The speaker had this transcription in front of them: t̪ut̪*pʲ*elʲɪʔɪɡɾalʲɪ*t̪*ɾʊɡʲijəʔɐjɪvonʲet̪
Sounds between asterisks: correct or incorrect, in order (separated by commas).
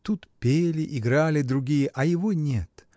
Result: correct, incorrect